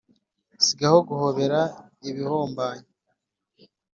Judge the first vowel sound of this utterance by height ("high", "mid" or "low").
high